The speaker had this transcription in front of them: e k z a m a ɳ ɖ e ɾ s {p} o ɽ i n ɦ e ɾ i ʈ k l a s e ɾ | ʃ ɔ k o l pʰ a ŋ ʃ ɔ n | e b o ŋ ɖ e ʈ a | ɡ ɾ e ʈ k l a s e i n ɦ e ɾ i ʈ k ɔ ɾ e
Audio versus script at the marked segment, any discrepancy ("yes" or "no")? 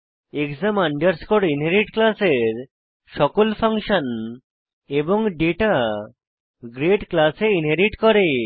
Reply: yes